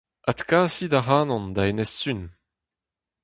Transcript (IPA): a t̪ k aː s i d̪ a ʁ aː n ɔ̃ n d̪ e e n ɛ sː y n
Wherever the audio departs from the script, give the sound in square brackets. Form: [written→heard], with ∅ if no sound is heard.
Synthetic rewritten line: a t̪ k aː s i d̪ a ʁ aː n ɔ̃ n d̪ [e→a] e n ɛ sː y n